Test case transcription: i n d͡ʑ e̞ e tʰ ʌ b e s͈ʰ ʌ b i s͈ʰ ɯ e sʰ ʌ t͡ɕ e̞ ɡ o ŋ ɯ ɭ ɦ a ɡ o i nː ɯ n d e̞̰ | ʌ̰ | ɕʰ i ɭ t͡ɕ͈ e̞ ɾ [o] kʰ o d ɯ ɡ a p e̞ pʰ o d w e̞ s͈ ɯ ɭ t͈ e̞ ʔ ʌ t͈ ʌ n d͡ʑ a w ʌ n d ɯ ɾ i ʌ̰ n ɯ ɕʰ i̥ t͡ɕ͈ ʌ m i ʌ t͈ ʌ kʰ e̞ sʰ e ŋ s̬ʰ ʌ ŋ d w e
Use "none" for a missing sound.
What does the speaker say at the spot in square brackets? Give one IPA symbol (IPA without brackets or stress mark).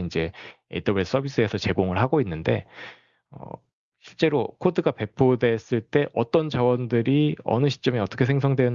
o